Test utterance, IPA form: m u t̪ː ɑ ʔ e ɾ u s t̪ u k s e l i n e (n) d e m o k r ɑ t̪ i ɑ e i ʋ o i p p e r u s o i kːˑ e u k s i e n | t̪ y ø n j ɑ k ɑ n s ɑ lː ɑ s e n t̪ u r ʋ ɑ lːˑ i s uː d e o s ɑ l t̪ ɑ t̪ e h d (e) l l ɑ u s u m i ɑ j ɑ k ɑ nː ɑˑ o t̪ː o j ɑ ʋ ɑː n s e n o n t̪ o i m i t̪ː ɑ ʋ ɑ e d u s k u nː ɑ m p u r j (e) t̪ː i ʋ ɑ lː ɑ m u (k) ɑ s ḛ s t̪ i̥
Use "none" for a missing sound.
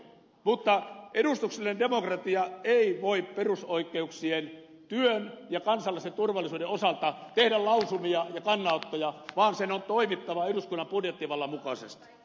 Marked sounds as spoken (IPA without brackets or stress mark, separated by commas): n, æ, e, k